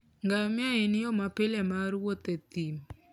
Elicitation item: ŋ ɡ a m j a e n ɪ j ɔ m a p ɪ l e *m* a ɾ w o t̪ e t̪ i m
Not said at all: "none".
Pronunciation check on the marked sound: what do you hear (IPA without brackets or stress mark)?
m